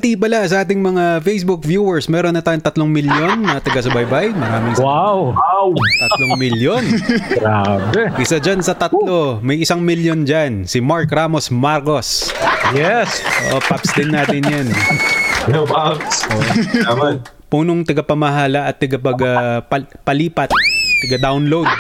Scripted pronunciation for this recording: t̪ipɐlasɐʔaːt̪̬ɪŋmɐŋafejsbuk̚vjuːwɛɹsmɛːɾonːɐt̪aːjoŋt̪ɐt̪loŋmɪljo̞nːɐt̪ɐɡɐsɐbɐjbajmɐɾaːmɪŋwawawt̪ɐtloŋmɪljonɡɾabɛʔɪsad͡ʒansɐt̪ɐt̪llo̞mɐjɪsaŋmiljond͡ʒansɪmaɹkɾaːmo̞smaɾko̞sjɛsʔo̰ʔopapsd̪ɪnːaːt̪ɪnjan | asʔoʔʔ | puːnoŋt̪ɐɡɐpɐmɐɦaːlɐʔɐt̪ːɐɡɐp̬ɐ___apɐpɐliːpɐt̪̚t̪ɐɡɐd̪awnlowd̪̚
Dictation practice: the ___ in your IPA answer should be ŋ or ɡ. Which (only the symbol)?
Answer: ɡ